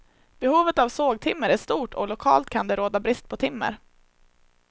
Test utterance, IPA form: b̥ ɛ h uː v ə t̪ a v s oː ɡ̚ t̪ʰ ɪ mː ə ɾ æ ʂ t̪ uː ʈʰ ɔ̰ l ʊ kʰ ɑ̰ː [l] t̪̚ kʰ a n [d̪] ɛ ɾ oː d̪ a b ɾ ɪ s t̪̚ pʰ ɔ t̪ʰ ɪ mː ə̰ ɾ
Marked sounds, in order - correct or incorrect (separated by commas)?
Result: correct, correct